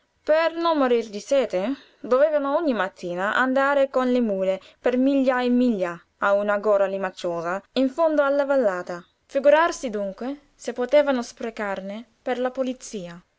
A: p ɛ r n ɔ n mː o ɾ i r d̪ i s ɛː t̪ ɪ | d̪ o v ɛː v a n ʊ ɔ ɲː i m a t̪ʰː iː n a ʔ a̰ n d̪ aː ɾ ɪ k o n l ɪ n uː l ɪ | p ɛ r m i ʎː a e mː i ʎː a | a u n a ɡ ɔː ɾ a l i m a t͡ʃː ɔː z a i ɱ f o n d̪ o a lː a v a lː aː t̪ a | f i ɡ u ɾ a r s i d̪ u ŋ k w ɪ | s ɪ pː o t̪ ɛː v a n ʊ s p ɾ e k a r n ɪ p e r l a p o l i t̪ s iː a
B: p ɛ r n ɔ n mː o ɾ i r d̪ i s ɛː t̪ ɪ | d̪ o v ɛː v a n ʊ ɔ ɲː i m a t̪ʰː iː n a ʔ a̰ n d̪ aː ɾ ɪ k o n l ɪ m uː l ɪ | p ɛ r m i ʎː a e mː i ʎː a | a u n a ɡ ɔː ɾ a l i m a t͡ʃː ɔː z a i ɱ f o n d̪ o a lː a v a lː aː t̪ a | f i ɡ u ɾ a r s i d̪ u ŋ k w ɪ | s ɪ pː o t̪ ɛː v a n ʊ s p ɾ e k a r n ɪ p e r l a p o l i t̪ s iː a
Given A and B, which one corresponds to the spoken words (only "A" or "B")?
B